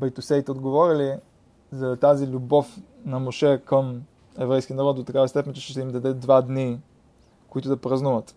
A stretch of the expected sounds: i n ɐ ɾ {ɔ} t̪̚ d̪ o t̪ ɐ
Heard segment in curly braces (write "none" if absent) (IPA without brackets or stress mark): ɔ